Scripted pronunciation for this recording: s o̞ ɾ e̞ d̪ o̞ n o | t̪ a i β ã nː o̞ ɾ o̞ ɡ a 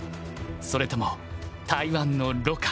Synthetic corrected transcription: s o̞ ɾ e̞ t̪ o̞ m o | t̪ a i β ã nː o̞ ɾ o̞ k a